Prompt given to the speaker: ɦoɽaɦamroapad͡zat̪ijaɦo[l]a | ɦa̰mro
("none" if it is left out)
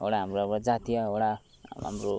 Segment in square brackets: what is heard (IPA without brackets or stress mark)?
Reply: ɽ